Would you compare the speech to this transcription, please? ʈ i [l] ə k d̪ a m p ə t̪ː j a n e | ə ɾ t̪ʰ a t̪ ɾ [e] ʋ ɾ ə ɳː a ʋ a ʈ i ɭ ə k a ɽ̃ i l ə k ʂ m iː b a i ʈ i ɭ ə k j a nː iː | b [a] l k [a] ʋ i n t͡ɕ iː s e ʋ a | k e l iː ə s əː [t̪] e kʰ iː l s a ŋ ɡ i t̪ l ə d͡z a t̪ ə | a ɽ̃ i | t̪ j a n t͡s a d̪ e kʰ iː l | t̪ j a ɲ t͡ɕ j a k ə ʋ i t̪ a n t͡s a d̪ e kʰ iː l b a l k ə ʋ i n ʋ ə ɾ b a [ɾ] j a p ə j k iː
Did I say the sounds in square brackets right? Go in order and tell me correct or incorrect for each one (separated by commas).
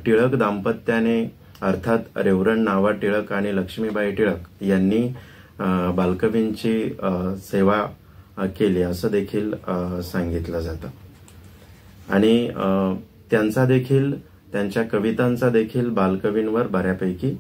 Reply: incorrect, correct, correct, incorrect, incorrect, correct